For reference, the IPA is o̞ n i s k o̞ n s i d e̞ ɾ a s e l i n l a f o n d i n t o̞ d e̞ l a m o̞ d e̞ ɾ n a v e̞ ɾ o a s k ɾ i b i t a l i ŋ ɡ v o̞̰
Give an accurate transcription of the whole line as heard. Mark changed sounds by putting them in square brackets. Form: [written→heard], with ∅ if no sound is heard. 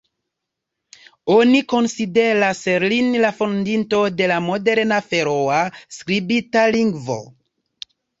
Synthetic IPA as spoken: o̞ n i [s→∅] k o̞ n s i d e̞ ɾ a s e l i n l a f o n d i n t o̞ d e̞ l a m o̞ d e̞ ɾ n a [v→f] e̞ ɾ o a s k ɾ i b i t a l i ŋ ɡ v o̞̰